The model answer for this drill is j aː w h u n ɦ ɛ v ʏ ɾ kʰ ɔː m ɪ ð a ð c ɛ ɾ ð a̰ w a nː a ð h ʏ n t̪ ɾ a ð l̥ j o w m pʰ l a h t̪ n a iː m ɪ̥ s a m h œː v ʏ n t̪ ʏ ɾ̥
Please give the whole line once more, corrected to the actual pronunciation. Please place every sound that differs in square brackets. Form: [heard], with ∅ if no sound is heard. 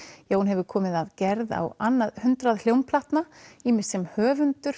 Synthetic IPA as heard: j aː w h u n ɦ ɛ v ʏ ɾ kʰ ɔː m ɪ ð a ð c ɛ ɾ ð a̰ w a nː a ð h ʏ n t̪ ɾ a ð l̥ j o w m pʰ l a h t̪ n a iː m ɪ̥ s [ɛ] m h œː v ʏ n t̪ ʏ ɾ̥